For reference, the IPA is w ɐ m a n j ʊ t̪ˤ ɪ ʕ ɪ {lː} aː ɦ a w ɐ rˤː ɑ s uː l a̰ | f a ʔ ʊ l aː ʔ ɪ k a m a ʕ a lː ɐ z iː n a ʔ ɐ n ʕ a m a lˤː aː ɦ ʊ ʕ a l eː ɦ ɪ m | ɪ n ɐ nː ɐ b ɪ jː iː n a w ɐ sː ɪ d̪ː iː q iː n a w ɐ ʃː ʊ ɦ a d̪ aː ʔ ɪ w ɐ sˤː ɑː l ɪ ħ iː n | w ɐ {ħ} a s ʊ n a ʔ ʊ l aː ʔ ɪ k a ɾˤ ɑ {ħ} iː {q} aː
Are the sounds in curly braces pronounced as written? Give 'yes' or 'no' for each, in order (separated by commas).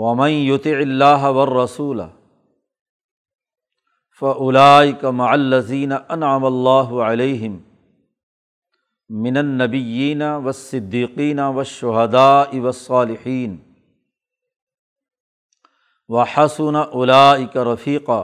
yes, yes, no, yes